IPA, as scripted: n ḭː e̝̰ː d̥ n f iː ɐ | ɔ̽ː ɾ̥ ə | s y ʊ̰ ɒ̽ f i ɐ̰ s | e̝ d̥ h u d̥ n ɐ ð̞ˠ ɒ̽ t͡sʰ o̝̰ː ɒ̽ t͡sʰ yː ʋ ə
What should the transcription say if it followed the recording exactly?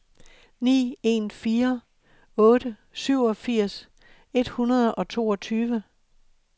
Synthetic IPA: n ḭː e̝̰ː n f iː ɐ | ɔ̽ː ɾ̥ ə | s y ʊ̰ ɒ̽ f i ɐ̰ s | e̝ d̥ h u n ɐ ð̞ˠ ɒ̽ t͡sʰ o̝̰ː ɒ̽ t͡sʰ yː ʋ ə